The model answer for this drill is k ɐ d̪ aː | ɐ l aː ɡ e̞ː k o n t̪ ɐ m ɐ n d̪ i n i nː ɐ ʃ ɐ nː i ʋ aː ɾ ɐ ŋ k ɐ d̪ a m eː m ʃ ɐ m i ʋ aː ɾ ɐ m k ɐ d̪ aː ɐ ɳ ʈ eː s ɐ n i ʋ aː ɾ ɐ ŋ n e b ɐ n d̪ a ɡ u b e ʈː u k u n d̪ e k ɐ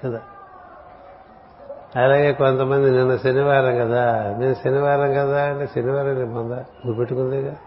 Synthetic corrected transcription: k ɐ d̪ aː | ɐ l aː ɡ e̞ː k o n t̪ ɐ m ɐ n d̪ i n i nː ɐ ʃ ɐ n i ʋ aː ɾ ɐ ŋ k ɐ d̪ a m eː m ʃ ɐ n i ʋ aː ɾ ɐ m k ɐ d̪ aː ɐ ɳ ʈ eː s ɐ n i ʋ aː ɾ ɐ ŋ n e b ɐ n d̪ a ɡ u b e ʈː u k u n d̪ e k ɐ